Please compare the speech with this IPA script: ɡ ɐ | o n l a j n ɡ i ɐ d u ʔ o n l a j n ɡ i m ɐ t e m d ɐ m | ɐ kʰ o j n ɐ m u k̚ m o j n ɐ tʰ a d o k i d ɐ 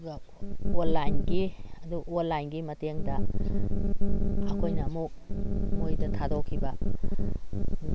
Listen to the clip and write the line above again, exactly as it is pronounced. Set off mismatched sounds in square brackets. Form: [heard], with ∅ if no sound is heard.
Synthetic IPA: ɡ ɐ | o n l a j n ɡ i ɐ d u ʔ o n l a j n ɡ i m ɐ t e [ŋ] d ɐ [∅] | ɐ kʰ o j n ɐ m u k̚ m o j [d] ɐ tʰ a d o [kʰ] i [b] ɐ